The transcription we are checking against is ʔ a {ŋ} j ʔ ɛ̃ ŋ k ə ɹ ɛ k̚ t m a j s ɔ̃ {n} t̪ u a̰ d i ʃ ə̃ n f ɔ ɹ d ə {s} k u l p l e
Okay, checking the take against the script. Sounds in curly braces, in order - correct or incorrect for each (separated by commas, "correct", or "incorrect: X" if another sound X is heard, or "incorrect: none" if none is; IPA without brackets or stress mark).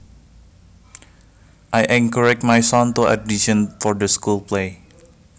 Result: incorrect: none, correct, correct